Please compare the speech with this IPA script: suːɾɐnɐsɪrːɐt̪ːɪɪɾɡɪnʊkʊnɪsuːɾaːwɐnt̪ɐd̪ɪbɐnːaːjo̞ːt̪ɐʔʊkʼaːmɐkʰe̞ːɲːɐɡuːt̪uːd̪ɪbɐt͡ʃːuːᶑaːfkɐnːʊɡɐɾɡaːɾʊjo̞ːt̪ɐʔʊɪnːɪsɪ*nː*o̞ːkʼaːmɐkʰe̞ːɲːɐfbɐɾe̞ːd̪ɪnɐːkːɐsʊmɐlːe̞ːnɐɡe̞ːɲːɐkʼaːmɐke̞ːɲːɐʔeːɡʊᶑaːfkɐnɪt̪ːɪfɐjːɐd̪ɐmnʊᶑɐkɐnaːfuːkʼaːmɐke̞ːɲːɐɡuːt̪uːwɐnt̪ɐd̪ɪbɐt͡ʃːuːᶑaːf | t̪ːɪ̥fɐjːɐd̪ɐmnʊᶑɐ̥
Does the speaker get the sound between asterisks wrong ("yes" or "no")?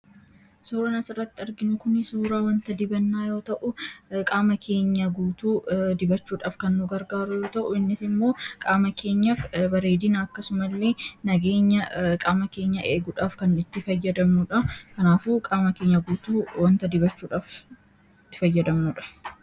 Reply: yes